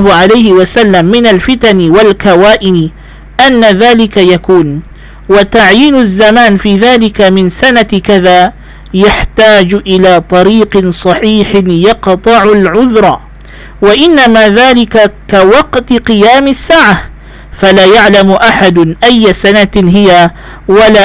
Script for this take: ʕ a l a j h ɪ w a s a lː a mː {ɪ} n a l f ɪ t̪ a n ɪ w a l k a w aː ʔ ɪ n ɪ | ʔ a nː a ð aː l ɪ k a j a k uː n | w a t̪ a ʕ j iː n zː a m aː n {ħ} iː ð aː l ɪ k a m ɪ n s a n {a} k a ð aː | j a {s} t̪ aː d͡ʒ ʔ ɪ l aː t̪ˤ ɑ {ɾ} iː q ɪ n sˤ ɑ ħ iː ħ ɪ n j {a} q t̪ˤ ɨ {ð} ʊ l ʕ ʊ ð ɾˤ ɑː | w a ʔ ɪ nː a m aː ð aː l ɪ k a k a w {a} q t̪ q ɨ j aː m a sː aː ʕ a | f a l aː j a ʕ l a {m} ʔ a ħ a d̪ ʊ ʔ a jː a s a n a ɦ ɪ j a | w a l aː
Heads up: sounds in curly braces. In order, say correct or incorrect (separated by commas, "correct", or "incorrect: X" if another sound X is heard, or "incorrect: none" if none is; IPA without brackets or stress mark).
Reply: correct, incorrect: f, correct, incorrect: ħ, correct, incorrect: ɑ, incorrect: ʕ, incorrect: ɑ, correct